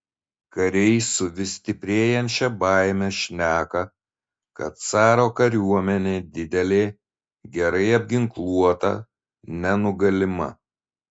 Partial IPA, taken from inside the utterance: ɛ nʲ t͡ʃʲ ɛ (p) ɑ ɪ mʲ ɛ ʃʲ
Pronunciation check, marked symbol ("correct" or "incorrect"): incorrect